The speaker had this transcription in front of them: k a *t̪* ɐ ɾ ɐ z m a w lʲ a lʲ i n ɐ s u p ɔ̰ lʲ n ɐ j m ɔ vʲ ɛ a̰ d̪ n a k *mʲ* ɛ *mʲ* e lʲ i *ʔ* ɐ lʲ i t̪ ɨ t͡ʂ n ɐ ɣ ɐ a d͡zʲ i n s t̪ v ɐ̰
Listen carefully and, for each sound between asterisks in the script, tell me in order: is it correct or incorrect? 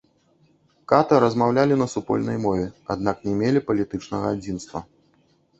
correct, incorrect, correct, incorrect

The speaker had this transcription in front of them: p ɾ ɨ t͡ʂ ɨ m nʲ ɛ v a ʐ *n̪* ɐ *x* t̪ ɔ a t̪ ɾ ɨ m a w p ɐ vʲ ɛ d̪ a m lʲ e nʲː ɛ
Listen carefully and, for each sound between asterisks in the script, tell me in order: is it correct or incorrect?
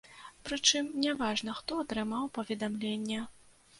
correct, correct

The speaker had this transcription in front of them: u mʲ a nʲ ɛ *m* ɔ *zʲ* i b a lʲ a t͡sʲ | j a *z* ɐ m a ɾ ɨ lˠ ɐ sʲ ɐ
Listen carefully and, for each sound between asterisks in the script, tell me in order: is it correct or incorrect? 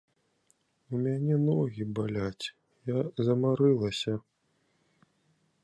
incorrect, incorrect, correct

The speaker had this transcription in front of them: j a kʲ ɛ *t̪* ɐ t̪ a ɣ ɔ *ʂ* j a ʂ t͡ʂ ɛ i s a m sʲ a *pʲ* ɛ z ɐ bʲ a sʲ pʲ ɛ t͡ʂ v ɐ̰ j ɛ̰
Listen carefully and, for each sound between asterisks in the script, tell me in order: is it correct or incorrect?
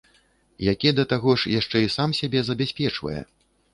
incorrect, correct, incorrect

